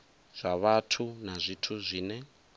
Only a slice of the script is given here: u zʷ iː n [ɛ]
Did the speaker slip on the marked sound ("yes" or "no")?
no